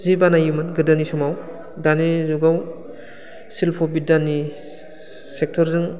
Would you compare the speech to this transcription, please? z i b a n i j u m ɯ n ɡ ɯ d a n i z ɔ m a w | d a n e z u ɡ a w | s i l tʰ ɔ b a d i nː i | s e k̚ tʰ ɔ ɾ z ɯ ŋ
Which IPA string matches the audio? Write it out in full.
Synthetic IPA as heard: z i b a n a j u m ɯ n ɡ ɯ d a n i s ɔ m a w | d a n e z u ɡ a w | s i l pʰ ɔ b i d a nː i | s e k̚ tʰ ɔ ɾ z ɯ ŋ